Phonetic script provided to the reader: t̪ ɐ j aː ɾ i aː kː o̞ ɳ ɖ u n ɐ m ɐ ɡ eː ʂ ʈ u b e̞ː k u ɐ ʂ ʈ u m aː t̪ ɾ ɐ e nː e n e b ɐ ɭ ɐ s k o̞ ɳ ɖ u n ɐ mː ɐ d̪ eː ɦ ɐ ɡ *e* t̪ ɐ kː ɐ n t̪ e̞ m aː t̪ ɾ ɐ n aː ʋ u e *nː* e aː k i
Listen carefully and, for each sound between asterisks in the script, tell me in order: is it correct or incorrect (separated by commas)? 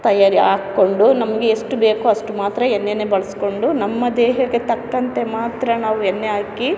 correct, correct